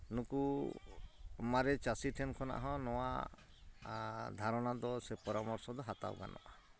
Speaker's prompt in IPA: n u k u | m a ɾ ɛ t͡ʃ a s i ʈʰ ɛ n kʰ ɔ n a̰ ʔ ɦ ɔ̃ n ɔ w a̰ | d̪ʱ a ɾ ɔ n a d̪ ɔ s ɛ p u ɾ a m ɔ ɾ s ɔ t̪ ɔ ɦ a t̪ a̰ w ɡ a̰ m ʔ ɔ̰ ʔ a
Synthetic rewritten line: n u k u | m a ɾ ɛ t͡ʃ a s i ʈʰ ɛ n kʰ ɔ n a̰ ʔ ɦ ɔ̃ n ɔ w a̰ | d̪ʱ a ɾ ɔ n a d̪ ɔ s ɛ p ɔ ɾ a m ɔ ɾ s ɔ d̪ ɔ ɦ a t̪ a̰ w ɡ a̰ n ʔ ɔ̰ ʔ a